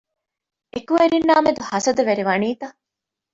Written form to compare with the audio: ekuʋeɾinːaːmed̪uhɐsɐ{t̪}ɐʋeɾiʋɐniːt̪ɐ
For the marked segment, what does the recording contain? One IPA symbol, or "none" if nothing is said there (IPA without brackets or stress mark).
d̪